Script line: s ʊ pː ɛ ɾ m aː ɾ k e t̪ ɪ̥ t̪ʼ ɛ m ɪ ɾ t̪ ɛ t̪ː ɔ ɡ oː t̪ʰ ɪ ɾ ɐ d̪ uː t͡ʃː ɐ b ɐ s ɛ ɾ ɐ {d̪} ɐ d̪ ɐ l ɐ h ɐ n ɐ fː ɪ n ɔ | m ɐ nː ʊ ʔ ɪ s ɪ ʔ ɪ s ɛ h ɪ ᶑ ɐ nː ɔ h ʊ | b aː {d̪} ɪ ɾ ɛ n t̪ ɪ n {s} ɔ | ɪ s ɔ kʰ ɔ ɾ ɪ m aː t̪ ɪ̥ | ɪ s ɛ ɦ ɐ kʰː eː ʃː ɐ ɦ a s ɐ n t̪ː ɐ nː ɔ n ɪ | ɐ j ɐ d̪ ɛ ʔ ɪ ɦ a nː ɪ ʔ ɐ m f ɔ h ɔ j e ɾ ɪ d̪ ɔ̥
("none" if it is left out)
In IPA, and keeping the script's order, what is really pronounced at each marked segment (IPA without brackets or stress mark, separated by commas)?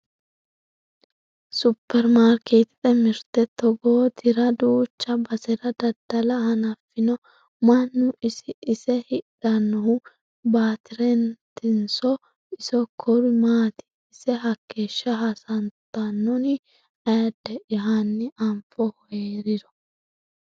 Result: d̪, t̪, s